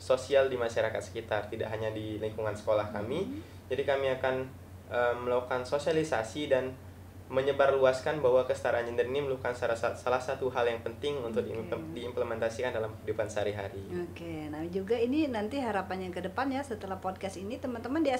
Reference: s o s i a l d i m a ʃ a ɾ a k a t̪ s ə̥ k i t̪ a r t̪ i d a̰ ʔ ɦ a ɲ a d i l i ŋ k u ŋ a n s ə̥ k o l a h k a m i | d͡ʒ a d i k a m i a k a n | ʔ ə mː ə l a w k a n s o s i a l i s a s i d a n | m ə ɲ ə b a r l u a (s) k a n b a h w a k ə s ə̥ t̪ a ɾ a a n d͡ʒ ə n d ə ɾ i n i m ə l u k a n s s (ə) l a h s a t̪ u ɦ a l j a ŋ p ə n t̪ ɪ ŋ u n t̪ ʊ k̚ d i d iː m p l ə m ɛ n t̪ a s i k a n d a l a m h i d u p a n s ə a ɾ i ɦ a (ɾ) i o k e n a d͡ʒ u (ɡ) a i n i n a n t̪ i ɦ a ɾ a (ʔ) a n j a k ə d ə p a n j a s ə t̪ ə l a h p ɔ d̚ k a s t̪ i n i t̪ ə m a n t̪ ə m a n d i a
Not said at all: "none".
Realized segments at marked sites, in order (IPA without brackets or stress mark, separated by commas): s, a, ɾ, ɡ, p